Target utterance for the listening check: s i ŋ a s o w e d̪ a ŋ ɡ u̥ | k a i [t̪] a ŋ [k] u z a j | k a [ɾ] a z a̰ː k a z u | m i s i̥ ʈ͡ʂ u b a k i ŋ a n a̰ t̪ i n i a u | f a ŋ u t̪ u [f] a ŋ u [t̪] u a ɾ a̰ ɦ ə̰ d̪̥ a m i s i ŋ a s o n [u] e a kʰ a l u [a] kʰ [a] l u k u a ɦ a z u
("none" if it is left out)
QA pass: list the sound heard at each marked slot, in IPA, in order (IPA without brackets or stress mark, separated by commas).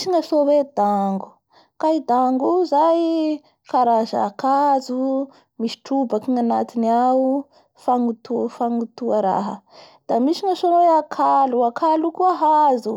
d̪, ɡ, ɾ, f, t̪, w, a, a